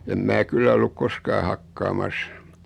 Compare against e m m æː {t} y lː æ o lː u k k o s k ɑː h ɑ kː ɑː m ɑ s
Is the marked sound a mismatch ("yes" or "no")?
yes